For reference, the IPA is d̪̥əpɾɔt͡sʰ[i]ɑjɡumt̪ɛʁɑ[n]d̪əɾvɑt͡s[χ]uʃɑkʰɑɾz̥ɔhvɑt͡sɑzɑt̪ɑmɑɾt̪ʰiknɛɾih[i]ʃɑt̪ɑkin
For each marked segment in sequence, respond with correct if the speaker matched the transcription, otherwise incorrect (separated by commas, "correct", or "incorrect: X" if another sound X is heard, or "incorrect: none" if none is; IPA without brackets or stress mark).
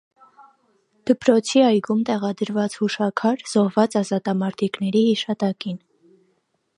correct, incorrect: none, incorrect: h, correct